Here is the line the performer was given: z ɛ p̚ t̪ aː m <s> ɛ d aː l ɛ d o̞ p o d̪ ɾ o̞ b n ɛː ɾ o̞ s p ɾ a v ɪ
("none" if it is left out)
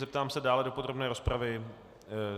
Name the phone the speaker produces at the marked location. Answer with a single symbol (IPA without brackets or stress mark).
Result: s